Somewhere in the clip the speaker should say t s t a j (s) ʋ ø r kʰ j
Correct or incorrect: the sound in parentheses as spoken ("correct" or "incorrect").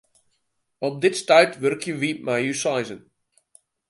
incorrect